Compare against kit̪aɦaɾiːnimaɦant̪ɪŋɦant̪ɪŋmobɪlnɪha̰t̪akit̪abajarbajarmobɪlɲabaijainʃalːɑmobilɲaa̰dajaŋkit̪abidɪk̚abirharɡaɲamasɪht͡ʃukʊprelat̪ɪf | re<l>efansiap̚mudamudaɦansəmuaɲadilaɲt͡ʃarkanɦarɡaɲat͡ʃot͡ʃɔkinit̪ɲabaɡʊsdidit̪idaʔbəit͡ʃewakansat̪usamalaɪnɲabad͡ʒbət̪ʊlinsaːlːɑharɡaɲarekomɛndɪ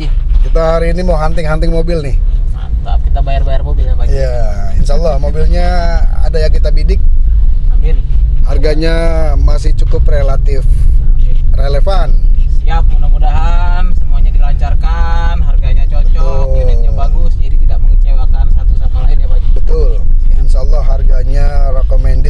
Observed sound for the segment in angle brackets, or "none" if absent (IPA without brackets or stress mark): l